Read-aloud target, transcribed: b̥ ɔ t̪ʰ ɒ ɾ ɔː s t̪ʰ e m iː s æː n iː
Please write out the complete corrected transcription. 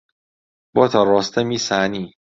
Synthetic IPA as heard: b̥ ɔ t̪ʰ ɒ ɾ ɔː s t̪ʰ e m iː s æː n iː

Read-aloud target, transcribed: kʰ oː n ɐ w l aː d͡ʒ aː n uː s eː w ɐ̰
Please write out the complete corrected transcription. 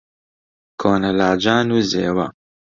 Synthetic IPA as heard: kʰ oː n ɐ l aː d͡ʒ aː n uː z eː w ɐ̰

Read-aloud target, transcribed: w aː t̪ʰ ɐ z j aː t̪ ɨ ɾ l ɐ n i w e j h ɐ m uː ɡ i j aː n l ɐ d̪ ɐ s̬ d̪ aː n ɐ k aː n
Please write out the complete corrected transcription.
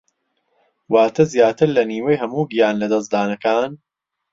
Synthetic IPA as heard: w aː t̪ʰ ɐ z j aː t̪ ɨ ɾ l ɐ n iː w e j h ɐ m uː ɡ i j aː n l ɐ d̪ ɐ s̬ d̪ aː n ɐ k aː n

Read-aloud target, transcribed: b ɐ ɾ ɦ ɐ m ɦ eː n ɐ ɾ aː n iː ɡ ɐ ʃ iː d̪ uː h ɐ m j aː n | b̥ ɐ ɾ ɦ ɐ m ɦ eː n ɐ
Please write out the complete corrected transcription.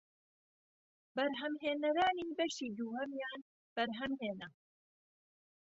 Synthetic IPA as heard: b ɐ ɾ ɦ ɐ m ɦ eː n ɐ ɾ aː n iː b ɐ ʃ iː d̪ uː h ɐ m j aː n | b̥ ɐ ɾ ɦ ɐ m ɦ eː n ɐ

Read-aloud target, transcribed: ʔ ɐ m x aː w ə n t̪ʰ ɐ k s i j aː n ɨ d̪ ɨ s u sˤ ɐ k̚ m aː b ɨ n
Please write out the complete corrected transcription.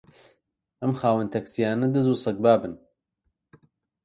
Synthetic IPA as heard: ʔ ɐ m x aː w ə n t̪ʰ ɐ k s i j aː n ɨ d̪ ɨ z u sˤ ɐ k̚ b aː b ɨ n

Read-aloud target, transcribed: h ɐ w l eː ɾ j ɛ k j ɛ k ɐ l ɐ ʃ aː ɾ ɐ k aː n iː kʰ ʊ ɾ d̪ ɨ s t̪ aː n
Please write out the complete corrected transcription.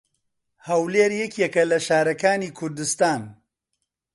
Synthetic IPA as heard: h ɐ w l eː ɾ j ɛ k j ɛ k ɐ l ɐ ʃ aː ɾ ɐ k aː n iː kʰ ʊ ɾ d̪ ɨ s t̪ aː n

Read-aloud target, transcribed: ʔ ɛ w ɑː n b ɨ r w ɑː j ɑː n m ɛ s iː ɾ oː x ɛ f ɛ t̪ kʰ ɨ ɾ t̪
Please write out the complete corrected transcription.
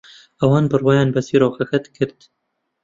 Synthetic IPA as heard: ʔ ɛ w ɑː n b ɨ r w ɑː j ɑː n b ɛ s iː ɾ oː x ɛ x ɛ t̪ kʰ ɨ ɾ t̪

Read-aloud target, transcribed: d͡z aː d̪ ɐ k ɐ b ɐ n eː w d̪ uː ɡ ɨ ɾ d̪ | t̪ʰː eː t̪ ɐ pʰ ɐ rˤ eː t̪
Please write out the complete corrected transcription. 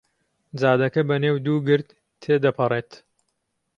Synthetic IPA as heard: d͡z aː d̪ ɐ k ɐ b ɐ n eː w d̪ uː ɡ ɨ ɾ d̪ | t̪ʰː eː d̪ ɐ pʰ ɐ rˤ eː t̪

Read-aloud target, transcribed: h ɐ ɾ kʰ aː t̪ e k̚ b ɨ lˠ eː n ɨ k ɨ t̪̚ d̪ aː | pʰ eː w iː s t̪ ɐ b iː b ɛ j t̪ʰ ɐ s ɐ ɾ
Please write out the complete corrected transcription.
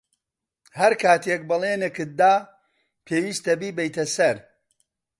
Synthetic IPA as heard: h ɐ ɾ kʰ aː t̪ e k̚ b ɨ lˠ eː n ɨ k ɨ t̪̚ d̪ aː | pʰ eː w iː s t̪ ɐ b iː b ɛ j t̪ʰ ɐ s ɐ ɾ

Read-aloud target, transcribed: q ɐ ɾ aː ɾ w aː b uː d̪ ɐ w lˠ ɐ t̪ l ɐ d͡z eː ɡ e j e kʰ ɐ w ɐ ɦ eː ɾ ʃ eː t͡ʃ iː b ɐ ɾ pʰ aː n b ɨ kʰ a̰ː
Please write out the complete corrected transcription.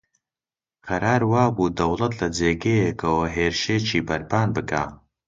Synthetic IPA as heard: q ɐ ɾ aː ɾ w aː b uː d̪ ɐ w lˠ ɐ t̪ l ɐ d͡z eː ɡ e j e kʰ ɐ w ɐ ɦ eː ɾ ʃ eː t͡ʃ iː b ɐ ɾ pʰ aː n b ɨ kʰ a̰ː

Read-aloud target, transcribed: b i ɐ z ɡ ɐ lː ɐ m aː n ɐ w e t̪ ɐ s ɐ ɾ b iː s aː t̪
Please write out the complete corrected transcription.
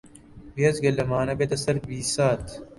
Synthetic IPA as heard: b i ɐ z ɡ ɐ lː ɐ m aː n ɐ b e t̪ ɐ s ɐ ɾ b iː s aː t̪

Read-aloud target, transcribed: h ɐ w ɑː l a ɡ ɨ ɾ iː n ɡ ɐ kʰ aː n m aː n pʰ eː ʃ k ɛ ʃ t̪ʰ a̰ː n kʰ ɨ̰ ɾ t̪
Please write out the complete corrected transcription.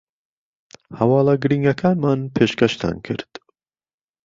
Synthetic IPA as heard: h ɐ w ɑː l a ɡ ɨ ɾ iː ŋ ɡ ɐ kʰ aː n m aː n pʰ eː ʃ k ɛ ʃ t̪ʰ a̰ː n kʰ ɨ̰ ɾ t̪

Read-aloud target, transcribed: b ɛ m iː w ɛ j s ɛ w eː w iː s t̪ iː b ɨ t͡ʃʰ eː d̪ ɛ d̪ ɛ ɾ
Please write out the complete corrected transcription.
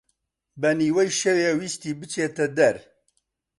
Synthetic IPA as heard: b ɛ n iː w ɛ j ʃ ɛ w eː w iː s t̪ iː b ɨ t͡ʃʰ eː t̪ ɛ d̪ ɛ ɾ

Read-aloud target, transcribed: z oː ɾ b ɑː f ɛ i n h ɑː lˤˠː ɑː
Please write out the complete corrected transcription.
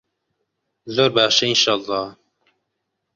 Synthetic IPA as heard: z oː ɾ b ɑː ʃ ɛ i n ʃ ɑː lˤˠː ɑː

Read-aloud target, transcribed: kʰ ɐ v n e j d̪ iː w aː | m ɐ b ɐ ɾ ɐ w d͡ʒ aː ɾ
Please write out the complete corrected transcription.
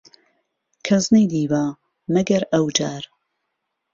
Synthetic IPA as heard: kʰ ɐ z n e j d̪ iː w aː | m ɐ ɡ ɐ ɾ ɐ w d͡ʒ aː ɾ

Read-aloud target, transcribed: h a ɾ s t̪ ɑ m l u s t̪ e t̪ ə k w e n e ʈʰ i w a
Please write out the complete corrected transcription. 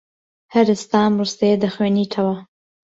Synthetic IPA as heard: h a ɾ s t̪ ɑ m ɾ u s t̪ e d̪ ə x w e n i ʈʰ a w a

